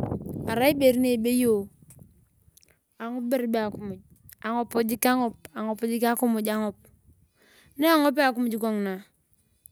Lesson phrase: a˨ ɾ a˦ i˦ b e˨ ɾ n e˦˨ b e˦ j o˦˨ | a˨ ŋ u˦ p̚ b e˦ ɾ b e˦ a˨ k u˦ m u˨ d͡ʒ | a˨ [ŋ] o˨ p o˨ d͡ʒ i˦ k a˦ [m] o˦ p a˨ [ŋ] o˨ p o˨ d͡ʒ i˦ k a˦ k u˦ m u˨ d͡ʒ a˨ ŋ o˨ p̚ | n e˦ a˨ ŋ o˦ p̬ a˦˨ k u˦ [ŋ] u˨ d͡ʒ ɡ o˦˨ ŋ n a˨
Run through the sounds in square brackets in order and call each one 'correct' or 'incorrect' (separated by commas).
correct, incorrect, correct, incorrect